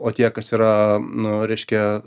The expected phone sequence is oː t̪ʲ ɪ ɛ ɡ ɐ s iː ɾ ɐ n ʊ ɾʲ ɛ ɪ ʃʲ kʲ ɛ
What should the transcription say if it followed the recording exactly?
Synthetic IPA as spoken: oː t̪ʲ i ɛ k ɐ s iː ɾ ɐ n ʊ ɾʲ ɛ ɪ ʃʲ kʲ ɛ